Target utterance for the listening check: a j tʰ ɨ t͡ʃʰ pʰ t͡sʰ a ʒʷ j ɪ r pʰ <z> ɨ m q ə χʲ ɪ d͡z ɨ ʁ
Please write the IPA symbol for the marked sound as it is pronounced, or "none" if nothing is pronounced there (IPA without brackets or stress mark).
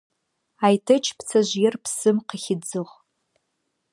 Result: s